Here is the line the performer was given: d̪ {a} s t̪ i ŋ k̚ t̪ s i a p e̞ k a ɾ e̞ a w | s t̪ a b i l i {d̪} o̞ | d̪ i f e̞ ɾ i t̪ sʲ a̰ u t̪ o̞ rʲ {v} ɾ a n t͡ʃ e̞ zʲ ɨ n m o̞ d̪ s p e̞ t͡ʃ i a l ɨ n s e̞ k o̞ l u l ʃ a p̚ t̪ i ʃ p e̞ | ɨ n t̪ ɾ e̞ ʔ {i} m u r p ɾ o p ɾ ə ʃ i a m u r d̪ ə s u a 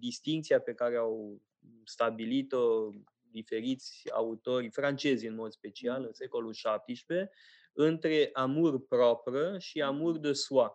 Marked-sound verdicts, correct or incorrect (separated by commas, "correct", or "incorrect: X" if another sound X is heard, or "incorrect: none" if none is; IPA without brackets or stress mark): incorrect: i, incorrect: t̪, incorrect: f, incorrect: a